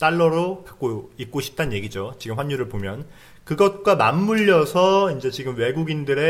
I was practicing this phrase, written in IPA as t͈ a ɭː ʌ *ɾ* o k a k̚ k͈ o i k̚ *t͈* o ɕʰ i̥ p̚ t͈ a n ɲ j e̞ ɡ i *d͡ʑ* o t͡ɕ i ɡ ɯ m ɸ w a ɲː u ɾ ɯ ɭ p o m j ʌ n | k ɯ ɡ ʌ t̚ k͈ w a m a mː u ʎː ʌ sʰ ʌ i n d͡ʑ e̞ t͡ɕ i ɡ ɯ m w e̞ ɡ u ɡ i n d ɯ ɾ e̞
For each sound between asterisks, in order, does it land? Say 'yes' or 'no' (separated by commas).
yes, no, yes